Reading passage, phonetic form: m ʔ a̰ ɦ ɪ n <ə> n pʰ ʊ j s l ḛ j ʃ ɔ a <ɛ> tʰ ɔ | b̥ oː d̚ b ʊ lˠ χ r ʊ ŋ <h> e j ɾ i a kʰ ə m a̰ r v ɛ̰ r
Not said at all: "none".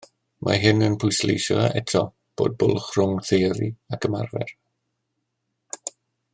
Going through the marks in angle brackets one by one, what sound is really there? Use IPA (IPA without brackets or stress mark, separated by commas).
ə, ɛ, θ